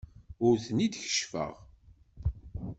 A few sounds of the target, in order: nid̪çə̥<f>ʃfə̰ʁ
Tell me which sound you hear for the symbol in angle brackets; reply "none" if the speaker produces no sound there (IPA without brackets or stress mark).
none